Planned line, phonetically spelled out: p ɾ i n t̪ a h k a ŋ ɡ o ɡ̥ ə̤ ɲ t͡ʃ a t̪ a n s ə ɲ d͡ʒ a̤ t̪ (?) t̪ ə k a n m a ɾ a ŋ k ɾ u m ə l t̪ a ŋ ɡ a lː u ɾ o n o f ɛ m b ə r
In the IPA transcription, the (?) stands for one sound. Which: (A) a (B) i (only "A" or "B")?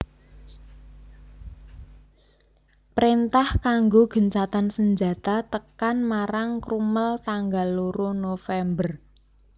A